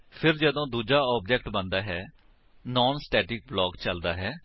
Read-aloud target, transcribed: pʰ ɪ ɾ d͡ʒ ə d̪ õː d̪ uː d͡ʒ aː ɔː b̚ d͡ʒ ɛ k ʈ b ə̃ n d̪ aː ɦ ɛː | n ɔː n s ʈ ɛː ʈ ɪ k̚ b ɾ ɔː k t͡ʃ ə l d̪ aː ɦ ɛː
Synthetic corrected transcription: pʰ ɪ ɾ d͡ʒ ə d̪ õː d̪ uː d͡ʒ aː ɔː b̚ d͡ʒ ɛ k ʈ b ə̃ n d̪ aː ɦ ɛː | n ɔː n s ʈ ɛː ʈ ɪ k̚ b l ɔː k t͡ʃ ə l d̪ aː ɦ ɛː